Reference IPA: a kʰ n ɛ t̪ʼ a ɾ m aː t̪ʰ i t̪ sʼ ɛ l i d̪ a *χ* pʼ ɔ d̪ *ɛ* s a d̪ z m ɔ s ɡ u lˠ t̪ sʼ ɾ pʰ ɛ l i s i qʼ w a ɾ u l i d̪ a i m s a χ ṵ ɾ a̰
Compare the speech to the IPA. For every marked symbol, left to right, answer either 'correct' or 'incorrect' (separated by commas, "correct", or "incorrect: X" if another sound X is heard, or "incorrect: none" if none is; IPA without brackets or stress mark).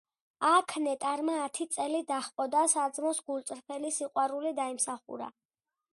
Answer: correct, incorrect: a